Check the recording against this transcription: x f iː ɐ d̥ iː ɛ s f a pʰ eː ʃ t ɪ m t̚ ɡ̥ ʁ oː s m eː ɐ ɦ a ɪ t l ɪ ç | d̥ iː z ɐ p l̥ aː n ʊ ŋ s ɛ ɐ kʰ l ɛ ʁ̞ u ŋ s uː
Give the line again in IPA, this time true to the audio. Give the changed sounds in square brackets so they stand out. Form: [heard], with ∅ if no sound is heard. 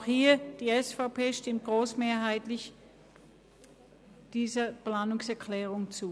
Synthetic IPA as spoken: x [h] iː ɐ d̥ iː ɛ s f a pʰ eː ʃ t ɪ m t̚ ɡ̥ ʁ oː s m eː ɐ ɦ a ɪ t l ɪ ç | d̥ iː z ɐ p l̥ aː n ʊ ŋ s ɛ ɐ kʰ l [ɛː] ʁ̞ [ʊ] ŋ [t͡s] uː